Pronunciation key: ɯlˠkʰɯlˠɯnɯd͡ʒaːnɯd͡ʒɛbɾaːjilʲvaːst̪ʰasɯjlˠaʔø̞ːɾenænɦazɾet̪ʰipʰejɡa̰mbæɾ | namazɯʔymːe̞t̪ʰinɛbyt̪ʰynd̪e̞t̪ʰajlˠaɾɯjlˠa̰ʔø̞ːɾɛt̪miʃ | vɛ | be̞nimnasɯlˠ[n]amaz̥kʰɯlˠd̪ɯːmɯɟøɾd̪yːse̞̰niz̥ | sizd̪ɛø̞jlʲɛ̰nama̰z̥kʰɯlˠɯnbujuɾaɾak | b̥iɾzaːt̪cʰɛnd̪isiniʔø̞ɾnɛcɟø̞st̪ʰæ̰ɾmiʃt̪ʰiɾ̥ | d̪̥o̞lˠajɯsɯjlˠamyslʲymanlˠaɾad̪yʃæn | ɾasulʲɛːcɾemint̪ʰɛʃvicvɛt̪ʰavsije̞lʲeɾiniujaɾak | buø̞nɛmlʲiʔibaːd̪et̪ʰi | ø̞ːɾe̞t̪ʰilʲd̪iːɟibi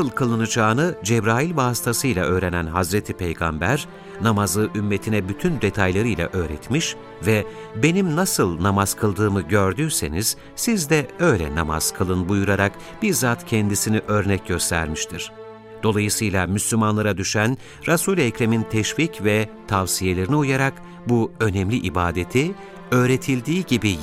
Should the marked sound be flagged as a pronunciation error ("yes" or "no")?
no